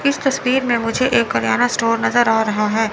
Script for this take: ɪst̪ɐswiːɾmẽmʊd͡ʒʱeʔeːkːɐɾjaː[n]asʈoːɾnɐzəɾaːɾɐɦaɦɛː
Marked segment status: correct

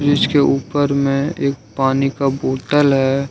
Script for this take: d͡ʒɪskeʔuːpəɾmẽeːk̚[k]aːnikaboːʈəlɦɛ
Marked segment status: incorrect: p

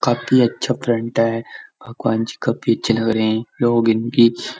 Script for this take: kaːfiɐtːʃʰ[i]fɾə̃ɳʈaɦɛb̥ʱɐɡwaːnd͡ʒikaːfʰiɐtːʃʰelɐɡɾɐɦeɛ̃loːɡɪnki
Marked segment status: incorrect: a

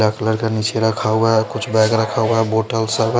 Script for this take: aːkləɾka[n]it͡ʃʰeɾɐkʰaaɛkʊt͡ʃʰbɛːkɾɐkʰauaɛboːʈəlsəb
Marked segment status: correct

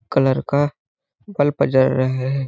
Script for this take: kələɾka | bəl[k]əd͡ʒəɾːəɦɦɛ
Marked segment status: incorrect: p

